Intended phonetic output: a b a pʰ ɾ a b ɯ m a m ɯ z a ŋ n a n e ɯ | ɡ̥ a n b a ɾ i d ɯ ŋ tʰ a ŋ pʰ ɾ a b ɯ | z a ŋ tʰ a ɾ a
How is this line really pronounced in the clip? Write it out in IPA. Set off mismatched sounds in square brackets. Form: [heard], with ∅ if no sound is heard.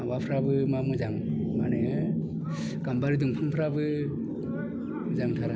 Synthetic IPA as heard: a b a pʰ ɾ a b ɯ m a m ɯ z a ŋ [m] a n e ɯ | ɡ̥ a [m] b a ɾ i d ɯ ŋ [pʰ] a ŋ pʰ ɾ a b ɯ | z a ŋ tʰ a ɾ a